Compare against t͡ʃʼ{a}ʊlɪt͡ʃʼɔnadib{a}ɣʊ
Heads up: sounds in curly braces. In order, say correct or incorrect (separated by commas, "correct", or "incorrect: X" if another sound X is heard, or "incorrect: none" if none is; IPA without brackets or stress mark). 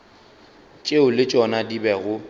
incorrect: e, incorrect: ɛ